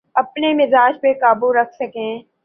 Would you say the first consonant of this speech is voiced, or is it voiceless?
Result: voiceless